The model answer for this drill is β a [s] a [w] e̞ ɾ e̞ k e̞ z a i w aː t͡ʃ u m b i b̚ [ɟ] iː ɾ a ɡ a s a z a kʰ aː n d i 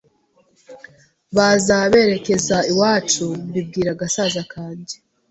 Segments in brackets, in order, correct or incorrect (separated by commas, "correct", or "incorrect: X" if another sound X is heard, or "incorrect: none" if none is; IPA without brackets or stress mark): incorrect: z, incorrect: β, incorrect: ɡ